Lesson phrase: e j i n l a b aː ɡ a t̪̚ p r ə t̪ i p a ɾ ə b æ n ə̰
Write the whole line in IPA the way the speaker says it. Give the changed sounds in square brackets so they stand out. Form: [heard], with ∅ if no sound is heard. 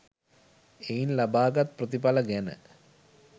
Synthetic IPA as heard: e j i n l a b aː ɡ a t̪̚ p r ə t̪ i p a [l] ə [ɡ] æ n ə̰